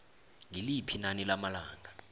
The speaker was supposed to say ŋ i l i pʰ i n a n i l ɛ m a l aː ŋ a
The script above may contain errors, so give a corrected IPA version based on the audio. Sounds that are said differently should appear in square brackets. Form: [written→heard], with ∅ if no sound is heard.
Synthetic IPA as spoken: ŋ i l i pʰ i n a n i l [ɛ→a] m a l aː ŋ a